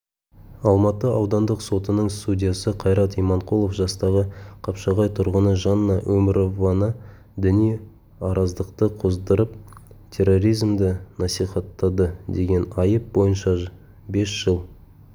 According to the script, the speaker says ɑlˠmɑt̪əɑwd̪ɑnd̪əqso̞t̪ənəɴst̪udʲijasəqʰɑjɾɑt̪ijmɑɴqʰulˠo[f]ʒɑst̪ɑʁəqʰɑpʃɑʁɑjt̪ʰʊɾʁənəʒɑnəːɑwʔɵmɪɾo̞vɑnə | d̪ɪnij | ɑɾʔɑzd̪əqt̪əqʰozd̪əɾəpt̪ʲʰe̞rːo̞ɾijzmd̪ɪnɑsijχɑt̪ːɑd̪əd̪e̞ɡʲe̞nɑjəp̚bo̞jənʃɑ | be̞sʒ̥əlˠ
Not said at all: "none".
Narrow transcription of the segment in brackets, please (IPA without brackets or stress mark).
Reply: f